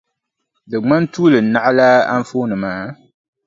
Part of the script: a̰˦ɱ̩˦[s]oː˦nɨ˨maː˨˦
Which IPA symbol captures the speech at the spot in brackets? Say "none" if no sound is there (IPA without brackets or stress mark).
f